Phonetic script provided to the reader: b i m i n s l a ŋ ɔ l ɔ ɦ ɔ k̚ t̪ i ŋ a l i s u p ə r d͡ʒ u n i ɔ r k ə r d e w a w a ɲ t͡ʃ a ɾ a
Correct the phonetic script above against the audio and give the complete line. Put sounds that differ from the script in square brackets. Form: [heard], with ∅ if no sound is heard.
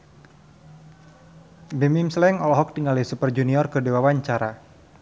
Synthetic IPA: b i m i [m] s l [ɛ] ŋ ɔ l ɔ ɦ ɔ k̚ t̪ i ŋ a l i s u p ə r d͡ʒ u n i ɔ r k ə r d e w a w a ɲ t͡ʃ a ɾ a